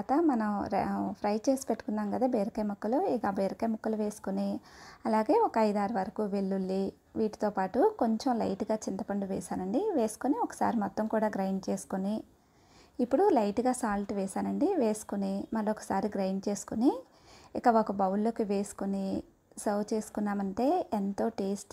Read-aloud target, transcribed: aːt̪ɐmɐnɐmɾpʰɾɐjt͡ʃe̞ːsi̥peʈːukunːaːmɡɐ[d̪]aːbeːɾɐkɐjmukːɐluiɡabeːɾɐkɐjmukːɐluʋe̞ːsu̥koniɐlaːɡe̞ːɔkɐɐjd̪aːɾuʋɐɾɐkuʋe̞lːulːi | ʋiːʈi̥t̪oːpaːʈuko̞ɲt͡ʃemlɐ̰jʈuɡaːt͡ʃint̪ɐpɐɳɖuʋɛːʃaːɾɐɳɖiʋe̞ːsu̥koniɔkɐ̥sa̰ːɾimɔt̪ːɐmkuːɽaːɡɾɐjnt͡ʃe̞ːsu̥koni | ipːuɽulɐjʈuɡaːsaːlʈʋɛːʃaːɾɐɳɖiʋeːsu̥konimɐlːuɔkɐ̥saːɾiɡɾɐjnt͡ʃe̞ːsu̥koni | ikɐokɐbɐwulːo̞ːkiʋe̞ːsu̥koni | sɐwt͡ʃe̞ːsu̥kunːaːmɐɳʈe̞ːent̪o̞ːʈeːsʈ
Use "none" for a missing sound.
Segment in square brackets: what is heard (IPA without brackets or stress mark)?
d̪